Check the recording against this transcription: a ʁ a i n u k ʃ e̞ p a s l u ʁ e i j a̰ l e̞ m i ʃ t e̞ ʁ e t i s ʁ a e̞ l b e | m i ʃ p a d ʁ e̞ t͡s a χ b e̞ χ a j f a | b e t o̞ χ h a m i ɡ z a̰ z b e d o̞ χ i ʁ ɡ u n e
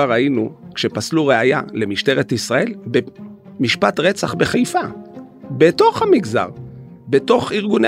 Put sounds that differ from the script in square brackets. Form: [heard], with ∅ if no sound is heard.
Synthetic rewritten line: a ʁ a i n u k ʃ e̞ p a s l u ʁ e [a] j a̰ l e̞ m i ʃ t e̞ ʁ e t i s ʁ a e̞ l b e | m i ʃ p a [t] ʁ e̞ t͡s a χ b e̞ χ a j f a | b e t o̞ χ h a m i ɡ z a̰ [ʁ] b e [t] o̞ χ i ʁ ɡ u n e